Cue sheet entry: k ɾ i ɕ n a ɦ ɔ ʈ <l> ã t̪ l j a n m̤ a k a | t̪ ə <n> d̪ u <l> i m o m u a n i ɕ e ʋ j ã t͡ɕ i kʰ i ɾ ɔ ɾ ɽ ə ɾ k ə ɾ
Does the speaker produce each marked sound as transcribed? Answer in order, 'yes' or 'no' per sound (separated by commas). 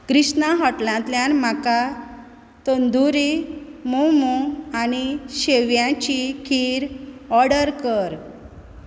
yes, yes, no